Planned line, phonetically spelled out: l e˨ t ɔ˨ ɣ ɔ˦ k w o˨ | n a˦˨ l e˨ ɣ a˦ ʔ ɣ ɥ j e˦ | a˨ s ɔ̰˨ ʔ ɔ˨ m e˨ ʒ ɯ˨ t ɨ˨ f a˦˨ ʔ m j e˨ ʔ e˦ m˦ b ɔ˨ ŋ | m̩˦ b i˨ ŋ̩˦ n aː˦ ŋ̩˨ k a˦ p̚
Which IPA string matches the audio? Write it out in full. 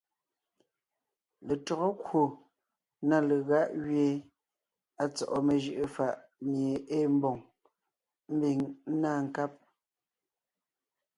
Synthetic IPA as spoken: l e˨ t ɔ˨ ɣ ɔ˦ k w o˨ | n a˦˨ l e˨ ɣ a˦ ʔ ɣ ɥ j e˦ | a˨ t͡s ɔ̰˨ ʔ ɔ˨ m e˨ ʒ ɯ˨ ʔ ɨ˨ f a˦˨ ʔ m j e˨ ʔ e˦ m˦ b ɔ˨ ŋ | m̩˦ b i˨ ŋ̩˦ n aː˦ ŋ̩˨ k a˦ p̚